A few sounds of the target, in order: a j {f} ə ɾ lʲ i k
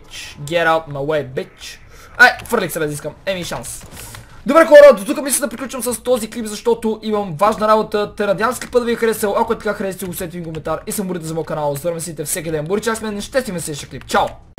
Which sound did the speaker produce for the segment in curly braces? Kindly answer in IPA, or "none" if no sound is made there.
f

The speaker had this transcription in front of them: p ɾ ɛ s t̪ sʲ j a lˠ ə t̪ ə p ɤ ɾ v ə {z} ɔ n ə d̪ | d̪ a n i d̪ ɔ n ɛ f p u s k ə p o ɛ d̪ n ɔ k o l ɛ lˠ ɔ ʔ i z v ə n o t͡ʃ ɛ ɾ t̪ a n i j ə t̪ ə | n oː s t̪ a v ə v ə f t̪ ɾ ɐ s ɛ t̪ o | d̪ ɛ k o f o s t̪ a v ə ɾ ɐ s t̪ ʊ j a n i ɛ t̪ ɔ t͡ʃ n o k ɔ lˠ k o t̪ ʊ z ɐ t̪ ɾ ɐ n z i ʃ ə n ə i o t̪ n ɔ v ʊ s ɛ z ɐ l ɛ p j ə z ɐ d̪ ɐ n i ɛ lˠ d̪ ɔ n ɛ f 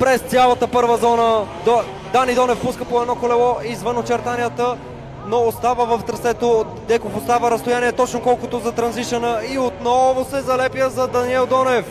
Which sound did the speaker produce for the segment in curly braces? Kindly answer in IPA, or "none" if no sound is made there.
z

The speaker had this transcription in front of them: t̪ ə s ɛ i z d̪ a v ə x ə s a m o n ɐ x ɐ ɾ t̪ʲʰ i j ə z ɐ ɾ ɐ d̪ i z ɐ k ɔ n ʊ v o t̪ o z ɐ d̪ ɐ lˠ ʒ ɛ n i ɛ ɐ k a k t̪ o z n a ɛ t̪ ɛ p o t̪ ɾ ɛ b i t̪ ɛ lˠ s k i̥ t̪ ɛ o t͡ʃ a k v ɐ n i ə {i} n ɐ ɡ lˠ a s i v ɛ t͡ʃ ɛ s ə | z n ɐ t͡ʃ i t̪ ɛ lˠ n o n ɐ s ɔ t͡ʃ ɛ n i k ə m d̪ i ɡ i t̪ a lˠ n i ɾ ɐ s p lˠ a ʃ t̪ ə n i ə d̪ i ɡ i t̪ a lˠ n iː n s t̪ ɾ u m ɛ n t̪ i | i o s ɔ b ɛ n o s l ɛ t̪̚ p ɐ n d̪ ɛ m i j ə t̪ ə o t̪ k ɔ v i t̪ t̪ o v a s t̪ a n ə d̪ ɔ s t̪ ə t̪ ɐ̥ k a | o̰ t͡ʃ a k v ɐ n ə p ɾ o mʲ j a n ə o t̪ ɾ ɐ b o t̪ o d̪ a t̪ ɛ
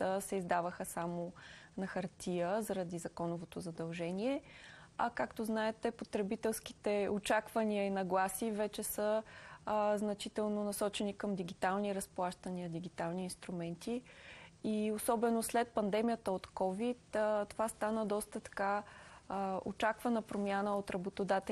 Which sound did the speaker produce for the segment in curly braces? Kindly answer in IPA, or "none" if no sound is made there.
i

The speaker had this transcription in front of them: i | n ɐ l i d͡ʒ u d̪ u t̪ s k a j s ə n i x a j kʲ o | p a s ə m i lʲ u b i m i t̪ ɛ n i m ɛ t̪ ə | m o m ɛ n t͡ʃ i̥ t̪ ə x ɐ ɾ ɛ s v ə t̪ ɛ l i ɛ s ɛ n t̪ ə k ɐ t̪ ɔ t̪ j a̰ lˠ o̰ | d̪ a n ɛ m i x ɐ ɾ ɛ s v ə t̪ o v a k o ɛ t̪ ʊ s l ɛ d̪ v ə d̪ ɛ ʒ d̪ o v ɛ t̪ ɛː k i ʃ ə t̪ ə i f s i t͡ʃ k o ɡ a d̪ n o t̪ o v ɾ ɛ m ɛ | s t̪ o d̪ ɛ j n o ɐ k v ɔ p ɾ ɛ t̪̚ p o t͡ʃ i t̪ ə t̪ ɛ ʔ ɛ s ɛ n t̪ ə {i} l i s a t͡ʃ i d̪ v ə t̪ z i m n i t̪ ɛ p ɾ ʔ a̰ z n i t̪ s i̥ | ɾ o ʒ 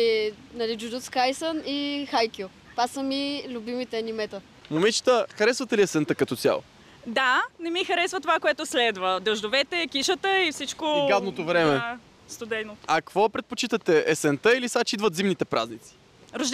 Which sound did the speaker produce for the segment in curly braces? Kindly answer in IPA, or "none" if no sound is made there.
i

